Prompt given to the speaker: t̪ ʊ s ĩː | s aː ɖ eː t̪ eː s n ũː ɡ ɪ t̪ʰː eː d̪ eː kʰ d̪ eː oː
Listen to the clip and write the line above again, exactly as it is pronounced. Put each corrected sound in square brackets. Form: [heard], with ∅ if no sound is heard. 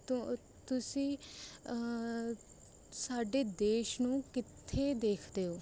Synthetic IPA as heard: t̪ ʊ s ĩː | s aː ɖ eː [d̪] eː [ʃ] n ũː [k] ɪ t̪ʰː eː d̪ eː kʰ d̪ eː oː